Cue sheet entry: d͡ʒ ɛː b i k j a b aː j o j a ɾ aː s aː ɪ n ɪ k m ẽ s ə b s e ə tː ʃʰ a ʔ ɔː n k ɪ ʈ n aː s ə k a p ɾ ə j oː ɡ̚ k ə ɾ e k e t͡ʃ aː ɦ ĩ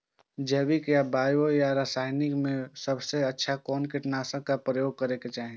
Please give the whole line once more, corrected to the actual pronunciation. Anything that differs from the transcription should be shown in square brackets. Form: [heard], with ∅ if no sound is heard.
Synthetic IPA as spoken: d͡ʒ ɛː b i k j a b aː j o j a ɾ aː s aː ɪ n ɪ k m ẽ s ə b s e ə tː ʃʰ a [k] ɔː n k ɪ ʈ n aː s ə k a p ɾ ə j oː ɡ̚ k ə ɾ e k e t͡ʃ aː ɦ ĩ